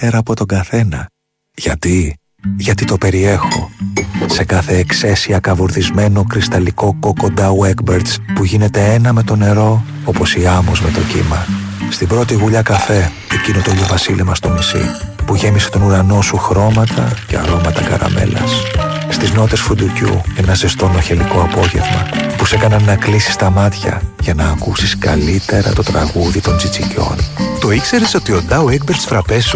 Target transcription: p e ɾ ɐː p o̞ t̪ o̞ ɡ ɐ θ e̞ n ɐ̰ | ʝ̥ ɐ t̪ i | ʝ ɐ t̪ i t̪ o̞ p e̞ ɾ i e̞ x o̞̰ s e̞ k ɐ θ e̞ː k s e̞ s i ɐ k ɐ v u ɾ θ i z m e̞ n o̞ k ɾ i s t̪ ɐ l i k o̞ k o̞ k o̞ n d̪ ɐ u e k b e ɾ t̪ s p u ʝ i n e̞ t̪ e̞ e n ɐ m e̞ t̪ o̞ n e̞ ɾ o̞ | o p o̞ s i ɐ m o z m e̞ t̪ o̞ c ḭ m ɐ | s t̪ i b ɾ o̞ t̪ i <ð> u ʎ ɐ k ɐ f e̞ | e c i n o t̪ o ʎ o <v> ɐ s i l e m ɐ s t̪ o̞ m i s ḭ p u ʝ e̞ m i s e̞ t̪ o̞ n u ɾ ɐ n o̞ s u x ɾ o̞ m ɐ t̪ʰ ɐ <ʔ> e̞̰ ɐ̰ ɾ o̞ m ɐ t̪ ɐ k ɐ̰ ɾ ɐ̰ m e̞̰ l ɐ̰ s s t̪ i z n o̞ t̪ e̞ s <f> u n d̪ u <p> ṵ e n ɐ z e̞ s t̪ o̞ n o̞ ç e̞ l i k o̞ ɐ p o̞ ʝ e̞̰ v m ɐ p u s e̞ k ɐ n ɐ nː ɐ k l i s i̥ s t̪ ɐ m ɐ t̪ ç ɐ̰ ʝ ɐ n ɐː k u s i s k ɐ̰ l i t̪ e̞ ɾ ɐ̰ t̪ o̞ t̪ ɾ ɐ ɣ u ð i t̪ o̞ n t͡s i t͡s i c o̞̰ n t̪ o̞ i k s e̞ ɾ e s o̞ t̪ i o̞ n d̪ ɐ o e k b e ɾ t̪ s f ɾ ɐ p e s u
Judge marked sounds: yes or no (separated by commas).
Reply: no, yes, no, yes, no